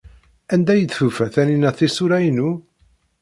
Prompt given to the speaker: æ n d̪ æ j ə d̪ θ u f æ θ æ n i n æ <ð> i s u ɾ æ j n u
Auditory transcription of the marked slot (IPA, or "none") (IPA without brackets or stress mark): θ